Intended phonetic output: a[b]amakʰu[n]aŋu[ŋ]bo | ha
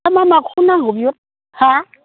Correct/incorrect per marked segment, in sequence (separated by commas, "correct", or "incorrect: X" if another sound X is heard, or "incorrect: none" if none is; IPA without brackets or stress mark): incorrect: m, correct, incorrect: none